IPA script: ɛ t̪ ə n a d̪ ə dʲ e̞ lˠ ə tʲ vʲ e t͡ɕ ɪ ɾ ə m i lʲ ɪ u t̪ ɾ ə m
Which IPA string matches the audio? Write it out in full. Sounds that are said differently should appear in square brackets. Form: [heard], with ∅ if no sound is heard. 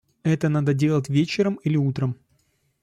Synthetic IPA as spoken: ɛ t̪ ə n a d̪ ə dʲ e̞ lˠ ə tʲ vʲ e t͡ɕ ɪ ɾ ə m i lʲ ɪ u t̪ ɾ ə m